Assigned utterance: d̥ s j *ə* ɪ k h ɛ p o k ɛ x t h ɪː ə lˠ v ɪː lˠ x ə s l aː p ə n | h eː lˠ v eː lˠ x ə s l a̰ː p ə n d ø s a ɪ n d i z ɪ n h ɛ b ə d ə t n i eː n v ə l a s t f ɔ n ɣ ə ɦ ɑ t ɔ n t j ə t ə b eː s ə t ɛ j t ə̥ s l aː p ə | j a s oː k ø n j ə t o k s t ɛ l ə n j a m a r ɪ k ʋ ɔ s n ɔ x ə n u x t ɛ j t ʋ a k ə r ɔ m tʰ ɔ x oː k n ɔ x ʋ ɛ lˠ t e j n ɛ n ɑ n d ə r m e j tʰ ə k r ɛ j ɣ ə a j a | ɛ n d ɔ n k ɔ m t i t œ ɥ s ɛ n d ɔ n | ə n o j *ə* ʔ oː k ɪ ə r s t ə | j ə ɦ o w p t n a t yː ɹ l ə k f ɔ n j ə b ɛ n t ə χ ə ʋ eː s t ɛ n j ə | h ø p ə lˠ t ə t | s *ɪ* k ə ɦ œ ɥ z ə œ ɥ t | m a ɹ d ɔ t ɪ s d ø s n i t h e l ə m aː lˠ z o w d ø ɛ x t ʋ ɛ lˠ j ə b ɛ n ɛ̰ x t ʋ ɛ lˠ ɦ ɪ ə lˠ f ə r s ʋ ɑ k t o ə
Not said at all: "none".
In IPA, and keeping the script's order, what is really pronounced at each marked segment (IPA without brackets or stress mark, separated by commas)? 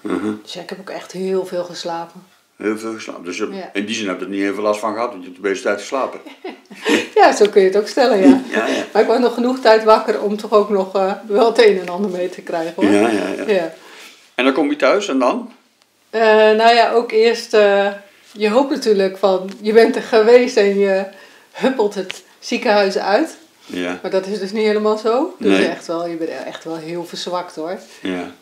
a, a, i